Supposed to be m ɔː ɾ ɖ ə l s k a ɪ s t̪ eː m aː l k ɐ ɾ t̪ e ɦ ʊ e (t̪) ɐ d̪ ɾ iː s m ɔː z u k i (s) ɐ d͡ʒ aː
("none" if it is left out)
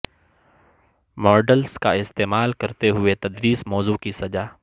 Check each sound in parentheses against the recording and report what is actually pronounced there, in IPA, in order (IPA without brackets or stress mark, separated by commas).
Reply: t̪, s